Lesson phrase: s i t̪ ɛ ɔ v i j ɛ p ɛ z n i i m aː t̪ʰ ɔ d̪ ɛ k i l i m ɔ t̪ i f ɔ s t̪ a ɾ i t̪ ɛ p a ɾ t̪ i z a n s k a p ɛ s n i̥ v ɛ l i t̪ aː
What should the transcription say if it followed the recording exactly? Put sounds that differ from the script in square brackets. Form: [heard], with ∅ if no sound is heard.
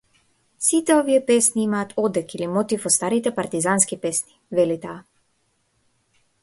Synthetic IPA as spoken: s i t̪ ɛ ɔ v i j ɛ p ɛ [s] n i i m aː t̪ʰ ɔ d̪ ɛ k i l i m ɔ t̪ i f ɔ s t̪ a ɾ i t̪ ɛ p a ɾ t̪ i z a n s k [i] p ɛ s n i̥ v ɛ l i t̪ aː